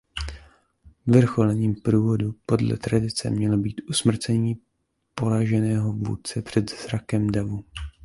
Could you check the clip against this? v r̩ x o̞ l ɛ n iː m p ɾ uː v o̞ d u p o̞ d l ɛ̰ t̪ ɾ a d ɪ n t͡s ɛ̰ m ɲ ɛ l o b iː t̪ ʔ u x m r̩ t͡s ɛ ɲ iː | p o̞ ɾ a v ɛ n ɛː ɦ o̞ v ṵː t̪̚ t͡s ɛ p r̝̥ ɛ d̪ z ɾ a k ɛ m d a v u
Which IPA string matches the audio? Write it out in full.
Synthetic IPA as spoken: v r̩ x o̞ l ɛ ɲ iː m p ɾ uː v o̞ d u p o̞ d l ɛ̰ t̪ ɾ a d ɪ t͡s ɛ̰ m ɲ ɛ l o b iː t̪ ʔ u s m r̩ t͡s ɛ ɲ iː | p o̞ ɾ a ʒ ɛ n ɛː ɦ o̞ v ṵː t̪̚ t͡s ɛ p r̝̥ ɛ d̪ z ɾ a k ɛ m d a v u